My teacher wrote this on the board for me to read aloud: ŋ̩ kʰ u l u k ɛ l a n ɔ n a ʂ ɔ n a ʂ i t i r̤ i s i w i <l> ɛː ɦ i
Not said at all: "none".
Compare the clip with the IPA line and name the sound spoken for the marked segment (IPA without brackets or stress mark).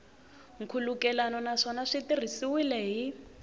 l